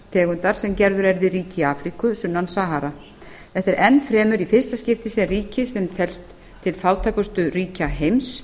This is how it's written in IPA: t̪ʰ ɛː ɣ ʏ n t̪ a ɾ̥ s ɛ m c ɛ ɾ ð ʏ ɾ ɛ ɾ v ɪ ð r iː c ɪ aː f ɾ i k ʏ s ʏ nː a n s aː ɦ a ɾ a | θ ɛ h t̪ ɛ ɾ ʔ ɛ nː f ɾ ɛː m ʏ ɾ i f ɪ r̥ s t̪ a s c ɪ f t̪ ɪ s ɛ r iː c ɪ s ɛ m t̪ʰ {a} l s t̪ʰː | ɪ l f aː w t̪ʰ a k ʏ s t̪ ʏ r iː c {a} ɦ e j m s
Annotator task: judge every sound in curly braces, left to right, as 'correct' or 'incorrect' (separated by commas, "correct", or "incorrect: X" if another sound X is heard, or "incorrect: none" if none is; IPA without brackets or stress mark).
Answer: incorrect: ɛ, correct